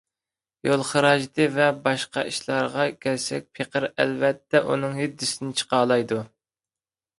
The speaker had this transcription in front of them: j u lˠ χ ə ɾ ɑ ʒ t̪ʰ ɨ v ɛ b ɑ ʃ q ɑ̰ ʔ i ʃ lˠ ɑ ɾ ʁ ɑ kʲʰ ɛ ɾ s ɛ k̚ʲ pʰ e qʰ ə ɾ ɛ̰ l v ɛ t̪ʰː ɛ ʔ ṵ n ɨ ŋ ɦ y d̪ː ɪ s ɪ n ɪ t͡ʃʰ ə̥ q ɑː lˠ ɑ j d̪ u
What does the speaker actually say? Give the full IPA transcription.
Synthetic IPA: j o lˠ χ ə ɾ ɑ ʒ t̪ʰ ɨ v ɛ b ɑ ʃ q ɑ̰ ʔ i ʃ lˠ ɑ ɾ ʁ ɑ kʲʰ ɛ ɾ s ɛ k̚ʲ pʰ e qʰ ə ɾ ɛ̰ l v ɛ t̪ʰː ɛ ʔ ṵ n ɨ ŋ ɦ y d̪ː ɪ s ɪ n ɪ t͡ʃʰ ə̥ q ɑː lˠ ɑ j d̪ u